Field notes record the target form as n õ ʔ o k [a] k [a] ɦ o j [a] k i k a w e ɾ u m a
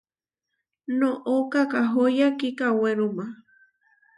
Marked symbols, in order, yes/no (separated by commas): yes, yes, yes